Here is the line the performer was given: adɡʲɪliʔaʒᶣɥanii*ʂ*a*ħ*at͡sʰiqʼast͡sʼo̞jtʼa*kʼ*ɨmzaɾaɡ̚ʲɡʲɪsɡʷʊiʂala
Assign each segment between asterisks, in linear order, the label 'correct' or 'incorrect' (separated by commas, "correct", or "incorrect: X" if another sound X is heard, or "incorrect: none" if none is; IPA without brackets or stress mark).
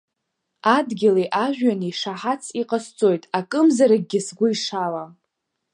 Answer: correct, correct, correct